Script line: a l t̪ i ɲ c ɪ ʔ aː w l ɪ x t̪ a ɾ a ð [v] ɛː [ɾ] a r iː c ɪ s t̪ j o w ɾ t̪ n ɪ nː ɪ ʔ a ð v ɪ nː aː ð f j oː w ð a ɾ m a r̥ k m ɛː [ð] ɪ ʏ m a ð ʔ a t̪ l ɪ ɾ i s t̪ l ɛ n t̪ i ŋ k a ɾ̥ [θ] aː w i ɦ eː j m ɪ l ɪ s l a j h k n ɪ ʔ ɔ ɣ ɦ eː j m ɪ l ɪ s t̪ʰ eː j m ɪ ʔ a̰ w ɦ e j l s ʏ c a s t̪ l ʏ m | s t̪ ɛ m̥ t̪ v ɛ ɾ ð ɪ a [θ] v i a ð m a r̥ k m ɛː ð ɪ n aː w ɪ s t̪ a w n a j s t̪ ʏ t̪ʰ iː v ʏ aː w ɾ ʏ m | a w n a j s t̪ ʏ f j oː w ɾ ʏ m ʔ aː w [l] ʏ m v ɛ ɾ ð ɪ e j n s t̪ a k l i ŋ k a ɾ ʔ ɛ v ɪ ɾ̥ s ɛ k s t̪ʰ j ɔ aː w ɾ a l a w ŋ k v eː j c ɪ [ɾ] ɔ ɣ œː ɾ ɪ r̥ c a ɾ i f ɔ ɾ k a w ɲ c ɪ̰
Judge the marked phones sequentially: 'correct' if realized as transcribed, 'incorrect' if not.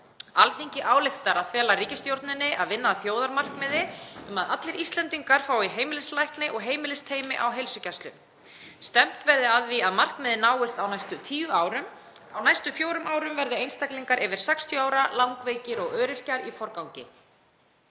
incorrect, incorrect, correct, incorrect, incorrect, incorrect, correct

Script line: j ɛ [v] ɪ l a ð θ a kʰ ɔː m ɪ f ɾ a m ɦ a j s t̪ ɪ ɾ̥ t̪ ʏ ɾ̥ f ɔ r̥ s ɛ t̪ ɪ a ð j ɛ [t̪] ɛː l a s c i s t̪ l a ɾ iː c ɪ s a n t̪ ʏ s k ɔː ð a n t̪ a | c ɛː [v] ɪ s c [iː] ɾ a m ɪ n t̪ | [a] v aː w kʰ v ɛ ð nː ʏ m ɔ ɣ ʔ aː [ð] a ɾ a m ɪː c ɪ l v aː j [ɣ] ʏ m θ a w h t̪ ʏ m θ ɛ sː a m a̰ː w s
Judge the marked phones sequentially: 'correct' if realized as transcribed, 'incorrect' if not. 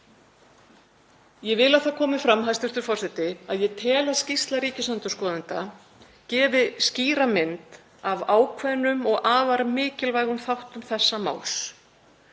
correct, incorrect, correct, correct, correct, incorrect, correct

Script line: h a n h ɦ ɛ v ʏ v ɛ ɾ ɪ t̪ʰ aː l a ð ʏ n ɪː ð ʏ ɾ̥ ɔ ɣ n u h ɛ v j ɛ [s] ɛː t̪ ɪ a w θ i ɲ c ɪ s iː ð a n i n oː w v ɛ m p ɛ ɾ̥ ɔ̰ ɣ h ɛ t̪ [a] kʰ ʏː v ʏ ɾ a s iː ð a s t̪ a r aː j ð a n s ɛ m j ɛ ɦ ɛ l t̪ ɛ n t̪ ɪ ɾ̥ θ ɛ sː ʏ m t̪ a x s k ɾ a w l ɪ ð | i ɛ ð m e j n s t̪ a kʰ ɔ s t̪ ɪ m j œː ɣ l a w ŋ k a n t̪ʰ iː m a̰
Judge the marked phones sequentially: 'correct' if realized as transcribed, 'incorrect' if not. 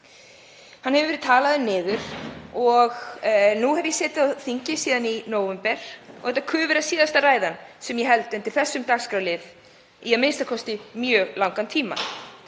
correct, correct

